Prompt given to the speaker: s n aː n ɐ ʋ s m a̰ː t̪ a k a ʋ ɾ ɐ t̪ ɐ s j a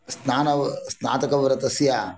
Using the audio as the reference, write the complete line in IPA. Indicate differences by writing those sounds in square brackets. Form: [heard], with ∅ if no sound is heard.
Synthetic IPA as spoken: s n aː n ɐ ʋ s [n] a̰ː t̪ [ɐ] k [ɐ] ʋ ɾ ɐ t̪ ɐ s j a